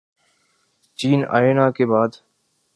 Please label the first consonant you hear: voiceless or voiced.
voiceless